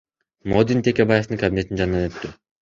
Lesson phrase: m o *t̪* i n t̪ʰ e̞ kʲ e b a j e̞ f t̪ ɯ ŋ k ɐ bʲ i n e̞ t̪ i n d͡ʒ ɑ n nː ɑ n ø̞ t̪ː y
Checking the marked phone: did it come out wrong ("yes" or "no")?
yes